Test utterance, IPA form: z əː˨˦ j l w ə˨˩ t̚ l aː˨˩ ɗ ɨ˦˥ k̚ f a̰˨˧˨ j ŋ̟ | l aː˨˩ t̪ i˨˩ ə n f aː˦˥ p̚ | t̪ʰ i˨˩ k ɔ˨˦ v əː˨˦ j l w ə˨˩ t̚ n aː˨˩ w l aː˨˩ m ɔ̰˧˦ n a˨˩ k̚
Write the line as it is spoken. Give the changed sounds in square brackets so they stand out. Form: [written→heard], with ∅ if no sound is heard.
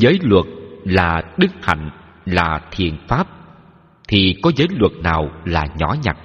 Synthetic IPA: z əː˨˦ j l w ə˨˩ t̚ l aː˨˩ ɗ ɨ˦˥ k̚ [f→h] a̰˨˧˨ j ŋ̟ | l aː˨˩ [t̪→t̪ʰ] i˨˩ ə n f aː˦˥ p̚ | t̪ʰ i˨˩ k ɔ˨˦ [v→z] əː˨˦ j l w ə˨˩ t̚ n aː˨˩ w l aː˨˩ [m→ɲ] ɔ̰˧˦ [n→ɲ] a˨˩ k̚